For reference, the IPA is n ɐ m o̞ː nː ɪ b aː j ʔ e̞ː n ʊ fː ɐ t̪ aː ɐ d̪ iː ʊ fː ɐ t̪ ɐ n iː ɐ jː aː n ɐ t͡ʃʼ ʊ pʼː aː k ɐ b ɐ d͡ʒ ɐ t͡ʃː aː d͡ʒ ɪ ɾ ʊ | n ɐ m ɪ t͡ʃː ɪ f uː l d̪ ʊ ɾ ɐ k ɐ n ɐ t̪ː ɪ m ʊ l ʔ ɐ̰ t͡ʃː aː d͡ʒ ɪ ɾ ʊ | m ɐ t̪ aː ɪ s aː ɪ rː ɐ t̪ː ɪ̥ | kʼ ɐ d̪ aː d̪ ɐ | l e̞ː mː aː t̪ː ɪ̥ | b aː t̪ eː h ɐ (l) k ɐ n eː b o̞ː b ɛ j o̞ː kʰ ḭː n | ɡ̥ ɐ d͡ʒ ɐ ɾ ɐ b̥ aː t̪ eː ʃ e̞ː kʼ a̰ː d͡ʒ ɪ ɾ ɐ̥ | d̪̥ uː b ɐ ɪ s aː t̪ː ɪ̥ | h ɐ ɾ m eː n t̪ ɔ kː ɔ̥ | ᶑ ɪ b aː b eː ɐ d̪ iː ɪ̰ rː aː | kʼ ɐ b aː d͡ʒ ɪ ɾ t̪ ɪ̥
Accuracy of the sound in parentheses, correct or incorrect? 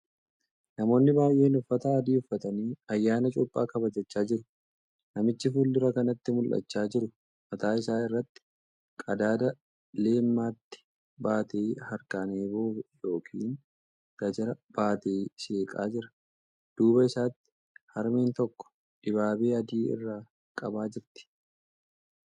incorrect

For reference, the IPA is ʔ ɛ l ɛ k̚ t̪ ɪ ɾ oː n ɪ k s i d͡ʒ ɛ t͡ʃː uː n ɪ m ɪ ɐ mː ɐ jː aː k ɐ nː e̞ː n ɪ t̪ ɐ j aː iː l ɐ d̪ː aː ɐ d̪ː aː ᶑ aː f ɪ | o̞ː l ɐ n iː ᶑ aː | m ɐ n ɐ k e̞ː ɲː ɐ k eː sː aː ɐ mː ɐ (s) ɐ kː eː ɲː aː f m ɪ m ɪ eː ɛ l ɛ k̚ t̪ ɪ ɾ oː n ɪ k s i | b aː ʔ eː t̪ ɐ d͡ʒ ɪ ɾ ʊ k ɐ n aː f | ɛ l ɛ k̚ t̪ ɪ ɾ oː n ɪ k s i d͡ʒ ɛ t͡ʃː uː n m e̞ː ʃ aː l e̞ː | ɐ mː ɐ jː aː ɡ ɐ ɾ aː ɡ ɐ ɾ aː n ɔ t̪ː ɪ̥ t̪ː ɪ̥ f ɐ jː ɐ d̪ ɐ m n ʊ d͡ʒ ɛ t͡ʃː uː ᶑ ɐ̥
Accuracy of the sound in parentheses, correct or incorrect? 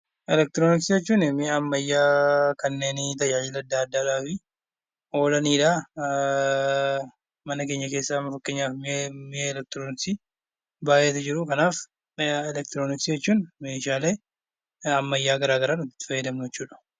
incorrect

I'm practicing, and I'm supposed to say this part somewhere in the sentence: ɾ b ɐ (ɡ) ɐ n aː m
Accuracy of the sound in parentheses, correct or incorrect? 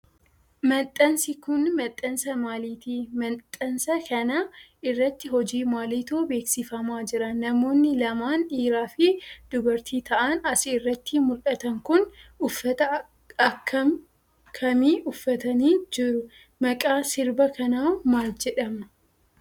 incorrect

